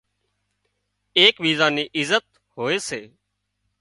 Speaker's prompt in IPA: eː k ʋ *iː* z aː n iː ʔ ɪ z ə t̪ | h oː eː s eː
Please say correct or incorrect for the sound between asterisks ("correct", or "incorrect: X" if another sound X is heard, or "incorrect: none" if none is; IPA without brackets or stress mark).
correct